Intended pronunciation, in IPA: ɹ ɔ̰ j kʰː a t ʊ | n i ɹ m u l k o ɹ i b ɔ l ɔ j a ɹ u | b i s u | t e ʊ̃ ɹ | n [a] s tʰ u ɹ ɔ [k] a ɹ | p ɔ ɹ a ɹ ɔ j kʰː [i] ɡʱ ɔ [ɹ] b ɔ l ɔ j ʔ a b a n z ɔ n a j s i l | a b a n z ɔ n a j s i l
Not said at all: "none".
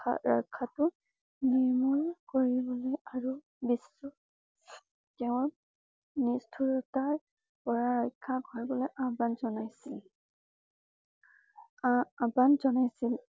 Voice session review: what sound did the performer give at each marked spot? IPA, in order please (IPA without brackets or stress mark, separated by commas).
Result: i, t, a, ɹ